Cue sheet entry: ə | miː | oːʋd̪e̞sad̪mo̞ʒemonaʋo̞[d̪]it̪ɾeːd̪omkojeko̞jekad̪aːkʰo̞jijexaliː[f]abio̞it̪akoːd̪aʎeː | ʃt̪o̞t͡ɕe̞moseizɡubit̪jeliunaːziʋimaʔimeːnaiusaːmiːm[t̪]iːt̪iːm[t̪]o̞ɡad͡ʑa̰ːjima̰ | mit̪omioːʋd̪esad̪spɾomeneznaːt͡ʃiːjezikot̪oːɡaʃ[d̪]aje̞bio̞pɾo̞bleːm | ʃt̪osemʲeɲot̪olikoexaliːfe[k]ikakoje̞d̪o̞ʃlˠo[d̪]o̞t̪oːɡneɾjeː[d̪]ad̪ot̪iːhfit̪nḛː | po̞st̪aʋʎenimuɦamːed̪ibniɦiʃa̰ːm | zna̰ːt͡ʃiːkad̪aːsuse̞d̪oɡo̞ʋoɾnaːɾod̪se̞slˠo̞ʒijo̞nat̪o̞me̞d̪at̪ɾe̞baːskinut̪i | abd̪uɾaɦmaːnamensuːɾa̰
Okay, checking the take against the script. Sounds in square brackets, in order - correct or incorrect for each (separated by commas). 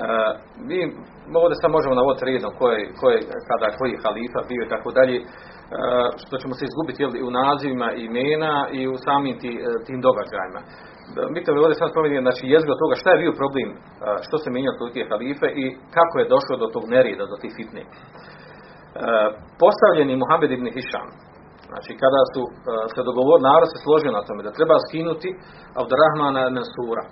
correct, correct, correct, incorrect, incorrect, incorrect, correct, correct